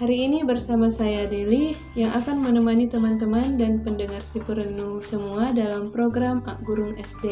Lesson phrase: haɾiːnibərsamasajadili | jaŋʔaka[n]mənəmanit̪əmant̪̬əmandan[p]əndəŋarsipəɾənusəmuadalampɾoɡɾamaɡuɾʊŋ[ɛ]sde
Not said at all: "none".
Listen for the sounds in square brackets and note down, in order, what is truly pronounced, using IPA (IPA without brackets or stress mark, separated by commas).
n, p, ɛ